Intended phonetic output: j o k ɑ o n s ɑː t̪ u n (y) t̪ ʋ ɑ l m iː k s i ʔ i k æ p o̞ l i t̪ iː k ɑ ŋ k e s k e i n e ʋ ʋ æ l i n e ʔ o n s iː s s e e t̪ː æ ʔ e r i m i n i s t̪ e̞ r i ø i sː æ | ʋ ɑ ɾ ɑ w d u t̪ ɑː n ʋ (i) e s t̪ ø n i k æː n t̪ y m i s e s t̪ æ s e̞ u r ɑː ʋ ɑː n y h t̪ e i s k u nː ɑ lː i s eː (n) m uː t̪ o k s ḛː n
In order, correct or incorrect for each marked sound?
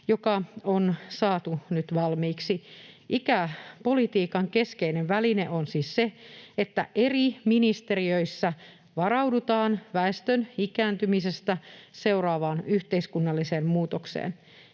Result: correct, incorrect: æ, incorrect: m

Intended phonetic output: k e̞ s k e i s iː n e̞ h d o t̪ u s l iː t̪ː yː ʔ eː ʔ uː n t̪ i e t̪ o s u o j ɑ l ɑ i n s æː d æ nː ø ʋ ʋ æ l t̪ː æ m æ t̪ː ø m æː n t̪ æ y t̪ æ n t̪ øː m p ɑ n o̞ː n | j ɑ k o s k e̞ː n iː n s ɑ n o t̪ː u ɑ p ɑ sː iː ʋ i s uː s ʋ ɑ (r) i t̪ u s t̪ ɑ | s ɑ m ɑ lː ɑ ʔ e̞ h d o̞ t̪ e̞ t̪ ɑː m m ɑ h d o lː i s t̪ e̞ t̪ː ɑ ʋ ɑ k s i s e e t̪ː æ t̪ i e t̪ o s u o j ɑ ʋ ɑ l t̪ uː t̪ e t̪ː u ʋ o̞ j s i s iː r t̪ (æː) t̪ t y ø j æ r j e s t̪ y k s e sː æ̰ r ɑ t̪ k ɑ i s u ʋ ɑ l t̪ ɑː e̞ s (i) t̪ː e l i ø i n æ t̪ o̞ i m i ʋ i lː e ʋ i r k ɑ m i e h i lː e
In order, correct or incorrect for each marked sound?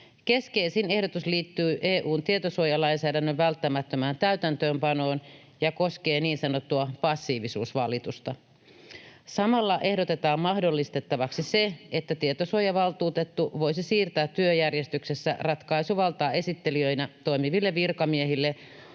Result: incorrect: l, correct, correct

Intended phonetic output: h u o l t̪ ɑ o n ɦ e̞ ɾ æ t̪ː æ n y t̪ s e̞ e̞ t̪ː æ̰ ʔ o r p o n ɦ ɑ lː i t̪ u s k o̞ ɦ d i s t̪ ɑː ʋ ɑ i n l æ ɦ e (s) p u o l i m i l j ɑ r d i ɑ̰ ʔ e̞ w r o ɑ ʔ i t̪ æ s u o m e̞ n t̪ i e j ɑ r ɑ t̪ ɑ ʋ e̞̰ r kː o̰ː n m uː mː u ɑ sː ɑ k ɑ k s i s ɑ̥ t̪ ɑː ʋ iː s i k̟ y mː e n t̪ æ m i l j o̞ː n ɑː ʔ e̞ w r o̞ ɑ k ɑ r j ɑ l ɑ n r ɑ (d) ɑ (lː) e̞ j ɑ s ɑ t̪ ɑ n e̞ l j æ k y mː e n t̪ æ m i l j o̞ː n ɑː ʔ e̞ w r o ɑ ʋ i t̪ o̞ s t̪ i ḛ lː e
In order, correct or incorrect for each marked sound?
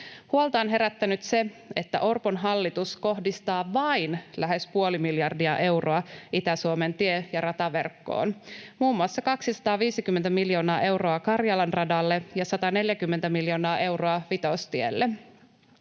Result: correct, correct, correct

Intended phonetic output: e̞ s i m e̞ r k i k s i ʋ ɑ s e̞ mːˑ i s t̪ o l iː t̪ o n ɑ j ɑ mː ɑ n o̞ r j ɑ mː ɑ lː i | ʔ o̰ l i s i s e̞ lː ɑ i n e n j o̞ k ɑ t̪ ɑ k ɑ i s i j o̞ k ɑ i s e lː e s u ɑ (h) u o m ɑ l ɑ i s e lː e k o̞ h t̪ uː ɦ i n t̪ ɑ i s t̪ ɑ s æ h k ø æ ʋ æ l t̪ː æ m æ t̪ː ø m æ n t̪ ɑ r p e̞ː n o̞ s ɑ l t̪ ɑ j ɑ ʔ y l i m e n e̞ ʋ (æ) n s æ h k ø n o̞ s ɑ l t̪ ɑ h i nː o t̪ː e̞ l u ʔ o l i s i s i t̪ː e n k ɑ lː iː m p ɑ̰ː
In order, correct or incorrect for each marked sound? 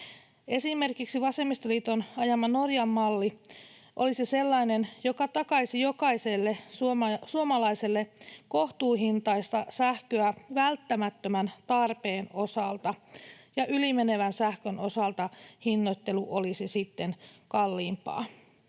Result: incorrect: s, correct

